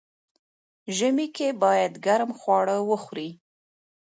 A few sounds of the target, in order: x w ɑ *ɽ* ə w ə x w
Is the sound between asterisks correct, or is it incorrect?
correct